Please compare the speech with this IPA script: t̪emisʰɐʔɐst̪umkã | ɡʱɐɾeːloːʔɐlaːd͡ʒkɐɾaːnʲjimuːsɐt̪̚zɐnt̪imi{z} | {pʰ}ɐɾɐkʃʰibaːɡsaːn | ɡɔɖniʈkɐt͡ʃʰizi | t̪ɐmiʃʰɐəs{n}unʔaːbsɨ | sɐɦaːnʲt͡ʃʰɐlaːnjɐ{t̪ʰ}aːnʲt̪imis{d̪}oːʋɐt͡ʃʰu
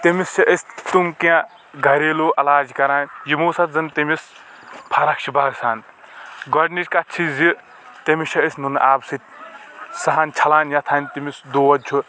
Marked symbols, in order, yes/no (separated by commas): no, yes, yes, yes, yes